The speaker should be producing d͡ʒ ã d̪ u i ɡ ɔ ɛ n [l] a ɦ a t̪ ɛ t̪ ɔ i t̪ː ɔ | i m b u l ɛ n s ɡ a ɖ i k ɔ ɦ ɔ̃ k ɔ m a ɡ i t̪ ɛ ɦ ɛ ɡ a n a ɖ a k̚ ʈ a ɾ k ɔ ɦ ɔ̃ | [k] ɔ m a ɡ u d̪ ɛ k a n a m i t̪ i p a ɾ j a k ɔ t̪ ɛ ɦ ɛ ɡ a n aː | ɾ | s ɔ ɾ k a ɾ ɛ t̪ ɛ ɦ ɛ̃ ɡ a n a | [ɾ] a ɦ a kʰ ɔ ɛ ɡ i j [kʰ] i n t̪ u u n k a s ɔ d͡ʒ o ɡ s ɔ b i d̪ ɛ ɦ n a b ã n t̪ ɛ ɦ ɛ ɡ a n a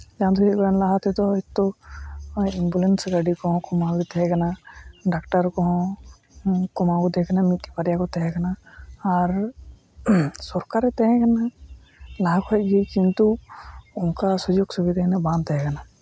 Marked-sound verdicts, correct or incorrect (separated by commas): correct, correct, incorrect, incorrect